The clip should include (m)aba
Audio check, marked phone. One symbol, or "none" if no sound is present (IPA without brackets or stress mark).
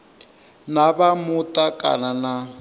n